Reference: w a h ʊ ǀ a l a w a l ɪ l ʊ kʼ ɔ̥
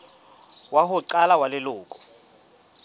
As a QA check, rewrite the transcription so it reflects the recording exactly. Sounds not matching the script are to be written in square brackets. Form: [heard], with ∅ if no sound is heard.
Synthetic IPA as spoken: w a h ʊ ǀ a l a w a l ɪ l [ʊː] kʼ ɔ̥